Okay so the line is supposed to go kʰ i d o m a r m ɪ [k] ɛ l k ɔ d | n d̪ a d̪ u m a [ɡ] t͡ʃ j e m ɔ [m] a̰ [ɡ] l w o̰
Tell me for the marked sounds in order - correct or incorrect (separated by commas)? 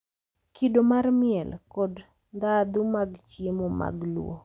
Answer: incorrect, correct, correct, correct